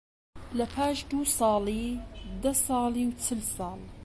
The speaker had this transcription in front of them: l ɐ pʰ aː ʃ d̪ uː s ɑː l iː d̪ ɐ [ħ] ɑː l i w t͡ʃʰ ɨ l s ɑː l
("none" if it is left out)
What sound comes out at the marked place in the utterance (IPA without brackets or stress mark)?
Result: s